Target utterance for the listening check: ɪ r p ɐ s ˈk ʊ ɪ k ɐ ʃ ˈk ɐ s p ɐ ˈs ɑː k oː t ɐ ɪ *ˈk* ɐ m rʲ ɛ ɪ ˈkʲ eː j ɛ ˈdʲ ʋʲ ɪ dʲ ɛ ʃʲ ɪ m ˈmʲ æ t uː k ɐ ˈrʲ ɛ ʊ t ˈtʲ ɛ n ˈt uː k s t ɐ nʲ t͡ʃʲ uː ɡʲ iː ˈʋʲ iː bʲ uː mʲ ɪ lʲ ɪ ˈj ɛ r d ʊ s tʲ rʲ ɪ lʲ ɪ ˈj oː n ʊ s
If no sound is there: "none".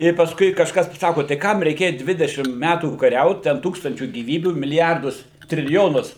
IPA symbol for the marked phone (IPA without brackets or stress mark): k